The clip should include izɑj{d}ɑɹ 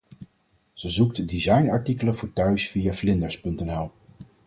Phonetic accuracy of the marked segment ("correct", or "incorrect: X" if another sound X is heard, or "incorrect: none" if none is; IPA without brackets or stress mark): incorrect: n